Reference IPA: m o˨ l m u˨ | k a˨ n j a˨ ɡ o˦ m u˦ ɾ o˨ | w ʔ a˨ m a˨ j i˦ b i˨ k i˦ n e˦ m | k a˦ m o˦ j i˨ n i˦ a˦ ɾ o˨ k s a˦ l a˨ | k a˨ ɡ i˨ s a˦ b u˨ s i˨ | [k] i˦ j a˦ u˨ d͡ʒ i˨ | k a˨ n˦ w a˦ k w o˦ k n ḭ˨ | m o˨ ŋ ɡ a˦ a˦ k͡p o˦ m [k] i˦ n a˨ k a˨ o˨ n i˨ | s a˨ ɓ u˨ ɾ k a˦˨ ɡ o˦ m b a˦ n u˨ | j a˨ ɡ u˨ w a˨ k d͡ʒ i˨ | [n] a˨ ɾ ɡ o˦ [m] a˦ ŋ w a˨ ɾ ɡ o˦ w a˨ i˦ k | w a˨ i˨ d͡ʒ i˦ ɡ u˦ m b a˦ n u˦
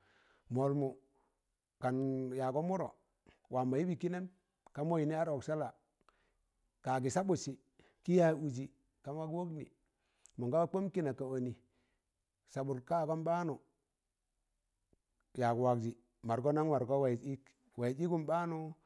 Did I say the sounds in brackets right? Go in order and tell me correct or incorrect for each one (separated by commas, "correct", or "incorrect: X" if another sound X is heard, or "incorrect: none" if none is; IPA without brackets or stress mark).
correct, correct, incorrect: m, incorrect: n